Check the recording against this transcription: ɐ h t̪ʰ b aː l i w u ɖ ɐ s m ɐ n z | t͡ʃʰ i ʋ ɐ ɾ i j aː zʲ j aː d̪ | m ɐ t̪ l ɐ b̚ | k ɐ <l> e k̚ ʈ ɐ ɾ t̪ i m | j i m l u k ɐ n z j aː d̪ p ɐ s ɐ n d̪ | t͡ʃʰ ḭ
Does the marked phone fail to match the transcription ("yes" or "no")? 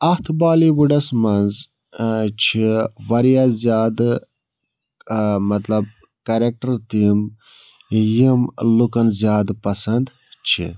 yes